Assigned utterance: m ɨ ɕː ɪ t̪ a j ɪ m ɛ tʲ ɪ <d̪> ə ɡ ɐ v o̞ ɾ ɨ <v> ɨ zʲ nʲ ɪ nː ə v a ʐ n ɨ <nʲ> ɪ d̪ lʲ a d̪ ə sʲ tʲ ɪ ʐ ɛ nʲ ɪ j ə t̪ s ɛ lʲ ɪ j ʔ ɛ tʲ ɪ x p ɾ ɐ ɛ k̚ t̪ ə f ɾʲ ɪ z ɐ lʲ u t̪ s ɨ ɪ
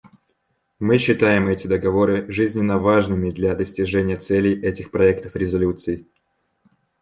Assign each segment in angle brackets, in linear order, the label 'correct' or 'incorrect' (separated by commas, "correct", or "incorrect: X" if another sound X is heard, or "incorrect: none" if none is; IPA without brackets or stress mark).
correct, incorrect: ʐ, incorrect: mʲ